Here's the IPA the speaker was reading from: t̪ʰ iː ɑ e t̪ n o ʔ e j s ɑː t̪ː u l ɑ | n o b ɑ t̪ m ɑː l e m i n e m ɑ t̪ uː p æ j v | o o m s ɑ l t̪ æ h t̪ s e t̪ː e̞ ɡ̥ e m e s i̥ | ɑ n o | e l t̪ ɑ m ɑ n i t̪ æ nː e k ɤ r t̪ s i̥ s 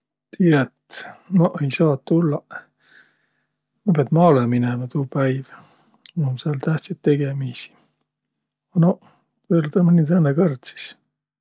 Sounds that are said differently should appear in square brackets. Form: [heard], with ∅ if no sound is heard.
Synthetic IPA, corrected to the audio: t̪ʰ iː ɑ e t̪ n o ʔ e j s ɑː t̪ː u [lː] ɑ | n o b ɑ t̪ m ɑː l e m i n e m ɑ t̪ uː p æ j v | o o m s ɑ l t̪ æ h t̪ s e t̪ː e̞ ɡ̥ e m [i] s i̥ | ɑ n o | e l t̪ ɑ m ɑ n i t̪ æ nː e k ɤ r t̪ s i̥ s